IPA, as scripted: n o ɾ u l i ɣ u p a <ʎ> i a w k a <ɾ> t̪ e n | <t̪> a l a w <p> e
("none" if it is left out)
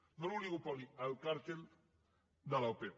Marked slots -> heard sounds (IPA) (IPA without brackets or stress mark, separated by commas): l, ɾ, d̪, p